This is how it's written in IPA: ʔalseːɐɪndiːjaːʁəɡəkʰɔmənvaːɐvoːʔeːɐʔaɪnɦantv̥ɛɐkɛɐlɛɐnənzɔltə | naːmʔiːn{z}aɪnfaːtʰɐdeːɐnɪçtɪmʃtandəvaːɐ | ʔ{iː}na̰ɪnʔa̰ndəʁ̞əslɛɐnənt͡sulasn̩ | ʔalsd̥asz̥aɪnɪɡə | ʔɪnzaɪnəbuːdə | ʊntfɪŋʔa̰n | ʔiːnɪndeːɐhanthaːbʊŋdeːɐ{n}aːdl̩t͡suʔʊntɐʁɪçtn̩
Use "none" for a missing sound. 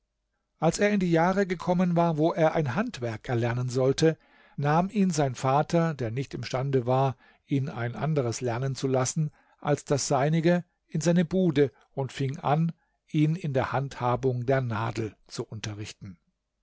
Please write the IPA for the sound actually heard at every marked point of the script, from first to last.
z, iː, n

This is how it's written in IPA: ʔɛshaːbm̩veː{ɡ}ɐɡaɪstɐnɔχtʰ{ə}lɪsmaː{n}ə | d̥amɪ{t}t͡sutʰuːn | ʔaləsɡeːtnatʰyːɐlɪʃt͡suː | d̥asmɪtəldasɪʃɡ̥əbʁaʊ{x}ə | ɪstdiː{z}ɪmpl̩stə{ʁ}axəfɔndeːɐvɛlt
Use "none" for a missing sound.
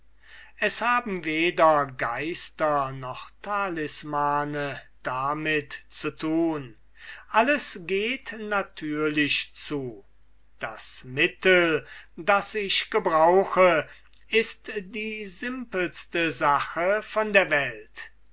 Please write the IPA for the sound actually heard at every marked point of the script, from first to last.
d, a, n, t, x, z, z

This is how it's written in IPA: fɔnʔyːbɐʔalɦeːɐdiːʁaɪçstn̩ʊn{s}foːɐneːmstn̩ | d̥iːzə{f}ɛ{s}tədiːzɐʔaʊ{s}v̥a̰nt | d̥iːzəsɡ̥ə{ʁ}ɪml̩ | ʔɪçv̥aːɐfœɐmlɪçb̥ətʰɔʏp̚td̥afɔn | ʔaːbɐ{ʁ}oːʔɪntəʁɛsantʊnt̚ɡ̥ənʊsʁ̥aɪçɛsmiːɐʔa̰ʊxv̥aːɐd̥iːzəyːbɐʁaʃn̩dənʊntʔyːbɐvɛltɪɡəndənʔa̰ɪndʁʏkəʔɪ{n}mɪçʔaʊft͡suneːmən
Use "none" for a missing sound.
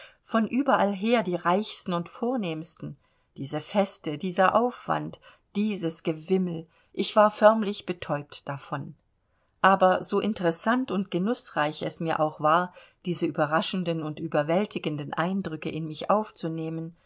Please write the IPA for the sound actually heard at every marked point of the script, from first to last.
t, f, s, f, v, z, n

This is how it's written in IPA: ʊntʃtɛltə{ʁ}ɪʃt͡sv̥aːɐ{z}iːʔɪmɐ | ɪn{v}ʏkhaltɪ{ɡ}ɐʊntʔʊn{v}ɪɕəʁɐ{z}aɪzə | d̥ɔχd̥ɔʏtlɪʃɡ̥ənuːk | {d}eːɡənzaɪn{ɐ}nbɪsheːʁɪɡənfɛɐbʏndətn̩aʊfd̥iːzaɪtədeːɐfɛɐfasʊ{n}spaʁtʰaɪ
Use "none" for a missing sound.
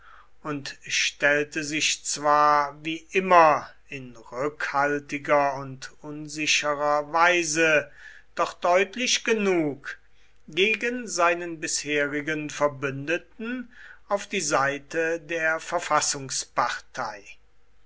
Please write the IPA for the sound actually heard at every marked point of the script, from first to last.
z, v, ʁ, ɡ, z, v, ɡ, ə, ŋ

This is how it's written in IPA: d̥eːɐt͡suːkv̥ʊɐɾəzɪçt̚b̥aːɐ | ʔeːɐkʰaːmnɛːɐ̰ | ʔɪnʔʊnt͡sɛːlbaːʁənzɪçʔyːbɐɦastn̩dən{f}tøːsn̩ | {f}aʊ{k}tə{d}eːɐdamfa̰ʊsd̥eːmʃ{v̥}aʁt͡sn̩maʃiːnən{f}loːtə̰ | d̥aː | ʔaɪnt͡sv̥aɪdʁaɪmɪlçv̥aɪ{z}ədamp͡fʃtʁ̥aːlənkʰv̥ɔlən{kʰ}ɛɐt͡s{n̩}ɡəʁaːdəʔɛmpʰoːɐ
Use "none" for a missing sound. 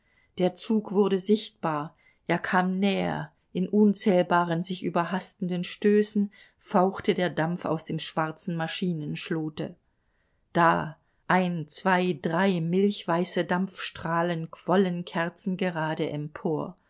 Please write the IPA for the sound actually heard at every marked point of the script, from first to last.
ʃ, f, x, d, v̥, ʃ, s, kʰ, n̩

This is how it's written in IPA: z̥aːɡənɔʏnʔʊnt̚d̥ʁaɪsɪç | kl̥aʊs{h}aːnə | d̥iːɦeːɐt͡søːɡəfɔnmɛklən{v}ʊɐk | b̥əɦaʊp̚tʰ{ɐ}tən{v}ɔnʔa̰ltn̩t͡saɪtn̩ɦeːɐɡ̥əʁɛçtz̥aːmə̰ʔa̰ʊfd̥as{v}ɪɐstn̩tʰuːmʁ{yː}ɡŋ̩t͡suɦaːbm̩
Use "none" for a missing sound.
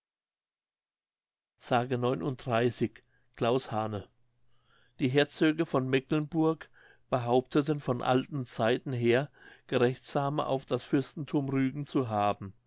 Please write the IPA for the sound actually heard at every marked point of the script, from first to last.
h, b, ə, f, f, yː

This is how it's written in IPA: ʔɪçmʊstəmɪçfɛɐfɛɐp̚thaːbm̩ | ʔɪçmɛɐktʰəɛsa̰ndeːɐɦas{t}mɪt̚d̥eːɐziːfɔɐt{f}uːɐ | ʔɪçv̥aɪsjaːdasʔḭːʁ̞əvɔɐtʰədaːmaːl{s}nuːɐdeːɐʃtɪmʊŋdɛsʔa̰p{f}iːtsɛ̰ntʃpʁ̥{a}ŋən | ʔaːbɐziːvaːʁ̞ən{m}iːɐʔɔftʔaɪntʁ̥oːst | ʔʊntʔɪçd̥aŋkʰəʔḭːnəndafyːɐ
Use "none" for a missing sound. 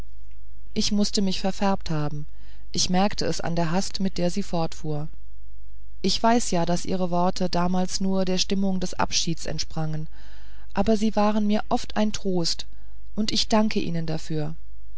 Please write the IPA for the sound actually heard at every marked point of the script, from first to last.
t, f, s, ʃ, a, m

